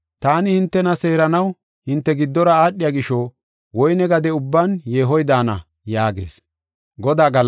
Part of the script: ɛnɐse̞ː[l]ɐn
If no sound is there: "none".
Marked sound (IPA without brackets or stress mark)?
ɾ